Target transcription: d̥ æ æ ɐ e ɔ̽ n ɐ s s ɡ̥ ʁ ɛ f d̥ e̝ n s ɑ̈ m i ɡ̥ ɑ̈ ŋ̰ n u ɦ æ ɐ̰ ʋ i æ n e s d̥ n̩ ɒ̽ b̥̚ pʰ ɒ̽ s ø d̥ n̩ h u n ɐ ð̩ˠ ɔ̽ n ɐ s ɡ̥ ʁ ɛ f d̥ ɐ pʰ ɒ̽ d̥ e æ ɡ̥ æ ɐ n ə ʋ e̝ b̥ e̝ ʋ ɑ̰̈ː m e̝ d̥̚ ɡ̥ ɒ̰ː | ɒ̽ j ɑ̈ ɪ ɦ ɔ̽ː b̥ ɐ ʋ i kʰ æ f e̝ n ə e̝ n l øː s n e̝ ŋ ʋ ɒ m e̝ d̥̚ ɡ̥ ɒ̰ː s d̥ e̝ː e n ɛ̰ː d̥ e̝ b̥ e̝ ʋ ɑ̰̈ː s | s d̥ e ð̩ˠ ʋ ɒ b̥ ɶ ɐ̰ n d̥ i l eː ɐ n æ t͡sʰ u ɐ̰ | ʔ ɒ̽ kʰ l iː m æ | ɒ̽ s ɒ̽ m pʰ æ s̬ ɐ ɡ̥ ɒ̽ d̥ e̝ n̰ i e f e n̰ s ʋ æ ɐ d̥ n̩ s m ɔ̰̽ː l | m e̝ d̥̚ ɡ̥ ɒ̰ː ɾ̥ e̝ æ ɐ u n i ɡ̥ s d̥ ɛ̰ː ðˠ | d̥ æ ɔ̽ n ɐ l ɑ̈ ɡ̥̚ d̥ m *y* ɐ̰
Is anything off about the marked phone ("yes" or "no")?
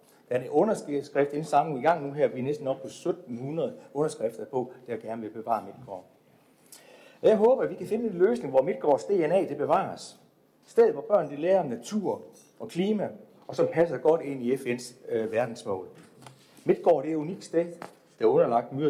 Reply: no